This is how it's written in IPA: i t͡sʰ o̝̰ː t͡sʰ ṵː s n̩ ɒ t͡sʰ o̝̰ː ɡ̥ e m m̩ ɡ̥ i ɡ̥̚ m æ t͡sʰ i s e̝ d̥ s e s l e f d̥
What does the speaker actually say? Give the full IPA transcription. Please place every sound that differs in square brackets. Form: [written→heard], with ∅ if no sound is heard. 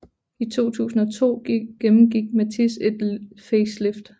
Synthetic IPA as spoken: i t͡sʰ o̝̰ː t͡sʰ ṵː s n̩ ɒ t͡sʰ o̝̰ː ɡ̥ e m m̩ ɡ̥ i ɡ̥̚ m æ t͡sʰ i s e̝ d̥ [s→f] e s l e f d̥